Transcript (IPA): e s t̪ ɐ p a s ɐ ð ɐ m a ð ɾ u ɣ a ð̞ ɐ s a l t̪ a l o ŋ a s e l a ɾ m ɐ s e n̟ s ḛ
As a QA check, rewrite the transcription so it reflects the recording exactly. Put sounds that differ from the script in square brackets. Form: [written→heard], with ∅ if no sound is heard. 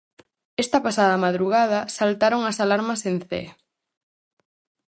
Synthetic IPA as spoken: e s t̪ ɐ p a s [ɐ→a] ð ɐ m a ð ɾ u ɣ a ð̞ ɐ s a l t̪ a [l→ɾ] o ŋ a s [e→a] l a ɾ m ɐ s e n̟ [s→θ] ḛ